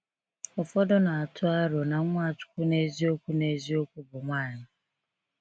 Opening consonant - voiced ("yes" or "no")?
no